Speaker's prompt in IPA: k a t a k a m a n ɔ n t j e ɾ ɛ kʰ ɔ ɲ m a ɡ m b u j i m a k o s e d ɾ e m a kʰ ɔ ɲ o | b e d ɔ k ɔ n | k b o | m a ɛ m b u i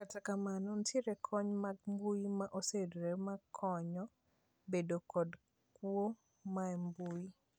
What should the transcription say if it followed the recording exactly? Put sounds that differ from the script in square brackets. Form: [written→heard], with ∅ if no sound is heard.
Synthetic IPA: k a t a k a m a n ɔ n t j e ɾ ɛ kʰ ɔ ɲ m a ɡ m b u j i m a [k→ʔ] o s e d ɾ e m a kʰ ɔ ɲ [o→ɔ] | b e d [ɔ→o] k ɔ [n→d] | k [b→w] o | m a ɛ m b u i